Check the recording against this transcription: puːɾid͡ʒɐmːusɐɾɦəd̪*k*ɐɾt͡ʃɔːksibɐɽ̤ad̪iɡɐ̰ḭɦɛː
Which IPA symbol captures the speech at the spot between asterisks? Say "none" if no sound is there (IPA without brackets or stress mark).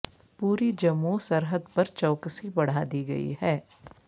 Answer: p